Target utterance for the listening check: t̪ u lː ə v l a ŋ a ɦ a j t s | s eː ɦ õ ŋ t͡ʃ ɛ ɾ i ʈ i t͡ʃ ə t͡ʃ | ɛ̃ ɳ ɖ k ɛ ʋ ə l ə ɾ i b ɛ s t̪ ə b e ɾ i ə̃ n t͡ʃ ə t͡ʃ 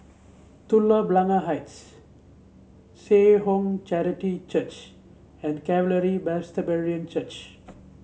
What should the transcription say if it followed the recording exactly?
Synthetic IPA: t̪ u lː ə b l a ŋ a ɦ a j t s | s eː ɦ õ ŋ t͡ʃ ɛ ɾ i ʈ i t͡ʃ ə t͡ʃ | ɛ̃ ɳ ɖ k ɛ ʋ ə l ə ɾ i b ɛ s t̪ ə b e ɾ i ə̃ n t͡ʃ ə t͡ʃ